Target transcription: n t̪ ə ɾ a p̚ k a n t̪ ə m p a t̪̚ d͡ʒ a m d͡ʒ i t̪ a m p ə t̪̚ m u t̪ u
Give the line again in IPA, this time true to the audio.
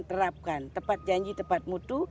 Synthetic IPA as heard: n t̪ ə ɾ a p̚ k a n t̪ ə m p a t̪̚ d͡ʒ a ɲ d͡ʒ i t̪ ə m p a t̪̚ m u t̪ u